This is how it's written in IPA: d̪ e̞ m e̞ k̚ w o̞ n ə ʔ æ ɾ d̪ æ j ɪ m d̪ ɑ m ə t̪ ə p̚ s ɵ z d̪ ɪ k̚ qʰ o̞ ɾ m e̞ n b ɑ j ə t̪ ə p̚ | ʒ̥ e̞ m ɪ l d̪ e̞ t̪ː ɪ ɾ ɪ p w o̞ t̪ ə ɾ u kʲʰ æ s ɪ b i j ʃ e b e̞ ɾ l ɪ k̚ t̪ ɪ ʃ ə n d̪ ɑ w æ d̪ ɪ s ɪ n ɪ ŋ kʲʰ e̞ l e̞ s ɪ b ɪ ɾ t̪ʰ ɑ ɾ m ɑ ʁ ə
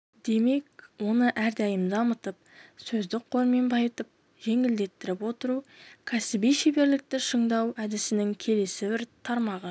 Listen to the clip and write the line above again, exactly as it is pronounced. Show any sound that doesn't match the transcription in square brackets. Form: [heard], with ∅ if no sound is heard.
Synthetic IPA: d̪ e̞ m e̞ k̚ w o̞ n ə ʔ æ ɾ d̪ æ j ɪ m d̪ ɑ m ə t̪ ə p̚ s ɵ z d̪ ɪ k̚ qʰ o̞ ɾ m e̞ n b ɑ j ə t̪ ə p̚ | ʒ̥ e̞ [ŋ] ɪ l d̪ e̞ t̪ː ɪ ɾ ɪ p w o̞ t̪ ə ɾ u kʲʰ æ s ɪ b i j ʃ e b e̞ ɾ l ɪ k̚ t̪ ɪ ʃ ə [ɴ] d̪ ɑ w æ d̪ ɪ s ɪ n ɪ ŋ kʲʰ e̞ l e̞ s ɪ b ɪ ɾ t̪ʰ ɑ ɾ m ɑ ʁ ə